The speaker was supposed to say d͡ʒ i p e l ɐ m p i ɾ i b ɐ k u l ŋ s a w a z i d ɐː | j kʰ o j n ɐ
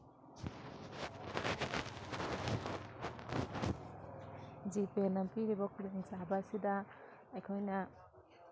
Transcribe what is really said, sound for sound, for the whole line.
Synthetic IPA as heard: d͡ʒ i p e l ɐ m p i ɾ i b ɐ k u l ŋ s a b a s i d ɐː | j kʰ o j n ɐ